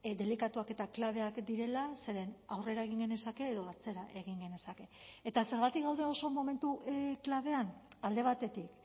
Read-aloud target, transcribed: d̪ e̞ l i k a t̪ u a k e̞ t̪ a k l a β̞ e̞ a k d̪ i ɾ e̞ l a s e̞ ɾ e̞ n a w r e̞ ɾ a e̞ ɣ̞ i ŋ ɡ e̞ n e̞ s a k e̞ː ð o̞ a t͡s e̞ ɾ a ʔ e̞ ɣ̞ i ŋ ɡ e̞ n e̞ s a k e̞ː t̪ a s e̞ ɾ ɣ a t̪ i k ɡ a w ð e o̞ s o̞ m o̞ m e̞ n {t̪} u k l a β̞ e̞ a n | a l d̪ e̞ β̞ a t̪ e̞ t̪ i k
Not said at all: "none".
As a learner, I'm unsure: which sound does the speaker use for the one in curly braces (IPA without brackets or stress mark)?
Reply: t̪